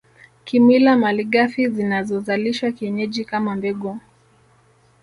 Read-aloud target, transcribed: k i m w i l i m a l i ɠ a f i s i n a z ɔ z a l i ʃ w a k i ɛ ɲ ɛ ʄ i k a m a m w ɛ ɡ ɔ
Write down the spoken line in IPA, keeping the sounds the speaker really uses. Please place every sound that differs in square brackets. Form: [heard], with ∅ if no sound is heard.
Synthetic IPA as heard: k i m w i l [a] m a l i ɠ a f i [z] i n a z ɔ z a l i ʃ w a k i ɛ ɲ ɛ ʄ i k a m a m [b] ɛ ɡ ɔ

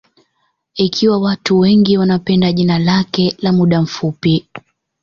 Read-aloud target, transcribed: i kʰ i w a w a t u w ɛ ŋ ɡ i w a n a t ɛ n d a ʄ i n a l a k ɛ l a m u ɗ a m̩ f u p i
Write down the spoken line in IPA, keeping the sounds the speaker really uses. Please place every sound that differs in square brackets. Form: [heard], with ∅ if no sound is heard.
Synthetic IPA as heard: i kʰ i w a w a t u w ɛ ŋ ɡ i w a n a [p] ɛ n d a ʄ i n a l a k ɛ l a m u ɗ a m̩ f u p i

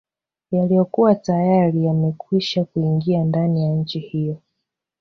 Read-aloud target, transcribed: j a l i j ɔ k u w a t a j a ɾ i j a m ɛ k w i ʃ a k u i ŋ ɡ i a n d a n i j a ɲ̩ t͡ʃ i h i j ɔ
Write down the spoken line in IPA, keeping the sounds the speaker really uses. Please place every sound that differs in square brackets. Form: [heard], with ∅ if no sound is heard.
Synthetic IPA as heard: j a l i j ɔ k u w a t a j a ɾ i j a m ɛ k w i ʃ a k u i ŋ ɡ i a n d a n i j a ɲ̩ t͡ʃ i h i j ɔ

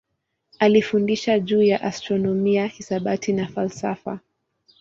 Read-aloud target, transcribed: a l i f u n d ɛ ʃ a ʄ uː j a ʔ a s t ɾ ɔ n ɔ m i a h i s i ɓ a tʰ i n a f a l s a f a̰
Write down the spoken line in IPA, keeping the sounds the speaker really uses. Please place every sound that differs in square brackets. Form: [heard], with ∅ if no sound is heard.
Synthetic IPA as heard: a l i f u n d [i] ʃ a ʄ uː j a ʔ a s t ɾ ɔ n ɔ m i a h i s [a] ɓ a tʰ i n a f a l s a f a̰

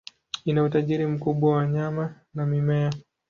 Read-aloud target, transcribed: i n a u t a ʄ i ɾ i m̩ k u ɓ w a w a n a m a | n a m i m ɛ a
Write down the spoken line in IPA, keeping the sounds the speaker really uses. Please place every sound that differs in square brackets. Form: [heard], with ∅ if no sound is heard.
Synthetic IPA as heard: i n a u t a ʄ i ɾ i m̩ k u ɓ w a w a [ɲ] a m a | n a m i m ɛ a

